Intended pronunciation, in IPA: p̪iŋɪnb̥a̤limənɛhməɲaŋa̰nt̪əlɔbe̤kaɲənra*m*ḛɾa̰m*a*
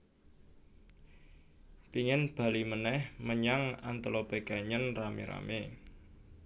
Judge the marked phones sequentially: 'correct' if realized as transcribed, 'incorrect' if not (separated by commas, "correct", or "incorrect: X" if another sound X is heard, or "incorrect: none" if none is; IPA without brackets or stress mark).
correct, incorrect: e